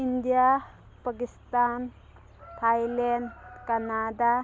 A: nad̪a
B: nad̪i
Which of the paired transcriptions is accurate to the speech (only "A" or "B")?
A